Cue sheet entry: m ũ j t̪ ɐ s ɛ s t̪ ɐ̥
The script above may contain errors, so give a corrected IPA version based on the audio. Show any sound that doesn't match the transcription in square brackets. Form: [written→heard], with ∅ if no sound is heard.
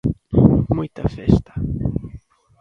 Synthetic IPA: m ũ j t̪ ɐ [s→f] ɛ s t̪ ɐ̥